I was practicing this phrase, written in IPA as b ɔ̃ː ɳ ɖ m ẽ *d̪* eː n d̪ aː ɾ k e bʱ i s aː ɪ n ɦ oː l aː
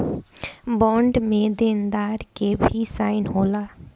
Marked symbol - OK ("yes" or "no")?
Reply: yes